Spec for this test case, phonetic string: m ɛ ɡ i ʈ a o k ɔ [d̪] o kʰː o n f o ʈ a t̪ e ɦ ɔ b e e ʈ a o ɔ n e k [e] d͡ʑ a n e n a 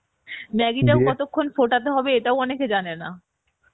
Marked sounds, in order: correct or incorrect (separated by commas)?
incorrect, correct